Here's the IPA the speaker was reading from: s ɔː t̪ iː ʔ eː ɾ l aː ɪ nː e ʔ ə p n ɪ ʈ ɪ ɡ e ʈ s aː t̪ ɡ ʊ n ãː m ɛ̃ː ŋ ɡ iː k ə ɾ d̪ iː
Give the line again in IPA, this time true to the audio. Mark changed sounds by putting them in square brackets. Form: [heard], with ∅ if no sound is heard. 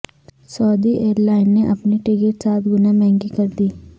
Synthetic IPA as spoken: s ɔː [d̪] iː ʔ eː ɾ l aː ɪ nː e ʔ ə p n [i] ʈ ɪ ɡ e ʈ s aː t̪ ɡ ʊ n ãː m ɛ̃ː ŋ ɡ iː k ə ɾ d̪ iː